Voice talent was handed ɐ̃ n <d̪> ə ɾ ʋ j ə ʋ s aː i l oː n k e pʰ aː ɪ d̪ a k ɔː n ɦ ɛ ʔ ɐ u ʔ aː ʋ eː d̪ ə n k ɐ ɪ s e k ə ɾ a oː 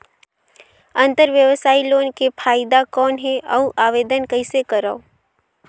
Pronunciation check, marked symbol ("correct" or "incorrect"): incorrect